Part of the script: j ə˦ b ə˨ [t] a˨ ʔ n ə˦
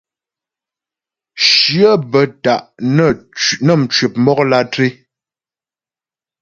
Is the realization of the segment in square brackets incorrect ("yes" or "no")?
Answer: no